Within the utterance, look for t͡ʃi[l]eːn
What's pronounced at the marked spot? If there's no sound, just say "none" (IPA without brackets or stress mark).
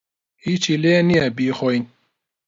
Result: l